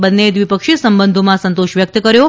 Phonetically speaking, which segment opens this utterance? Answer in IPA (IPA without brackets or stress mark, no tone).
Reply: b